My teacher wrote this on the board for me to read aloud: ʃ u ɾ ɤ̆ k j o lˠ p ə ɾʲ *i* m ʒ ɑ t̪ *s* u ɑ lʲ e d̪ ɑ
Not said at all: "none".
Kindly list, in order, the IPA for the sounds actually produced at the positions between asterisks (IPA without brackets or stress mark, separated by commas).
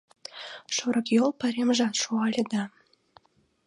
e, ʃ